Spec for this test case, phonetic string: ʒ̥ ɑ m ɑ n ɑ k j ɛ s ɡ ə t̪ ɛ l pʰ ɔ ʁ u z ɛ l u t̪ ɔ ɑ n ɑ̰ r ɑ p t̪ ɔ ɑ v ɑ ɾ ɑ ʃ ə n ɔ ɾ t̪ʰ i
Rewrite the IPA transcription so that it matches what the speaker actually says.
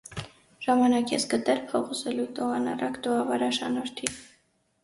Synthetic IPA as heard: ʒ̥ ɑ m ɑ n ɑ k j ɛ s ɡ ə t̪ ɛ l pʰ ɔ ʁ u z ɛ l u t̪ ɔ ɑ n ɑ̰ r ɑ k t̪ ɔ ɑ v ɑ ɾ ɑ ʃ ɑ n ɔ ɾ t̪ʰ i